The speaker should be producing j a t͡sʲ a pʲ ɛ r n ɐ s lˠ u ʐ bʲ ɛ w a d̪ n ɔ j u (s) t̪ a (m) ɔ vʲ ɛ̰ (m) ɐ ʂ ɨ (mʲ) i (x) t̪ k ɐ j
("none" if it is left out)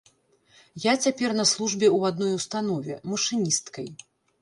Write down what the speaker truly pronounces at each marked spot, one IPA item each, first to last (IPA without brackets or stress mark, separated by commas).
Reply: s, n, m, nʲ, s